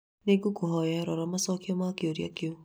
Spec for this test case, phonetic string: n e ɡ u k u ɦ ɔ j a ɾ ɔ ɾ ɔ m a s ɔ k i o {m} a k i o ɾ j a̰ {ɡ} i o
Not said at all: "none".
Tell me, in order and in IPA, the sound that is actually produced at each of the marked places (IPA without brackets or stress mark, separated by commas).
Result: m, k